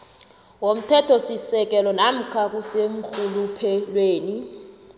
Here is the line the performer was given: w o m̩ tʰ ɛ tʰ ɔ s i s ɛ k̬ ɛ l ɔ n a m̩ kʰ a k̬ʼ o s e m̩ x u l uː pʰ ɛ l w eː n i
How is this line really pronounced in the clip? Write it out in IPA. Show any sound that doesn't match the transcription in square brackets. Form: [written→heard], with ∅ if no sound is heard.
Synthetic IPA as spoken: w o m̩ tʰ ɛ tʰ ɔ s i s ɛ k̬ ɛ l ɔ n a m̩ kʰ a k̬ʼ [o→u] s e m̩ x u l [uː→u] pʰ ɛ l w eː n i